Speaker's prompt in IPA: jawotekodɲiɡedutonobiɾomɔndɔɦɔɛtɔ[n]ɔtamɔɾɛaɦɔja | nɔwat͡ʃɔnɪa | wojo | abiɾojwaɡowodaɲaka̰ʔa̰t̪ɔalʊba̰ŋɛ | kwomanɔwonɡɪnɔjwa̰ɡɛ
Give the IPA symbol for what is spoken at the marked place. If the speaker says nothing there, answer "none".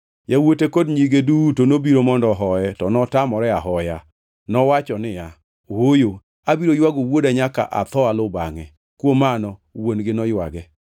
n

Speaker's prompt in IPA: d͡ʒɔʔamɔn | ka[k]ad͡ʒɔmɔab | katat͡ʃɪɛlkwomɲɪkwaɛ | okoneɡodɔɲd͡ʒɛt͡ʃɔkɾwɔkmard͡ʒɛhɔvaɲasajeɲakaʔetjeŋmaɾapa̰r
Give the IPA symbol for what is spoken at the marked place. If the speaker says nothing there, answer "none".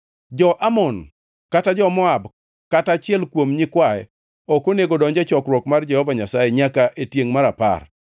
t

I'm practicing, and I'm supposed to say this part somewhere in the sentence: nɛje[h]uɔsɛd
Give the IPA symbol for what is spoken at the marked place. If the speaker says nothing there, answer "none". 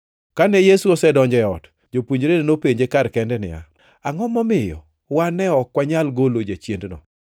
s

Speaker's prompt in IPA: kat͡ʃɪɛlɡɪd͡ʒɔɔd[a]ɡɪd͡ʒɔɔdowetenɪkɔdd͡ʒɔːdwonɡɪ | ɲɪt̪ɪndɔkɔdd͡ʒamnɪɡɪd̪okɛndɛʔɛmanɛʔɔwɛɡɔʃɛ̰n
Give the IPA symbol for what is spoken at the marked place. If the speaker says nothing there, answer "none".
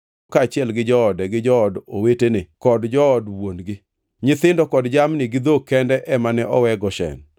ɛ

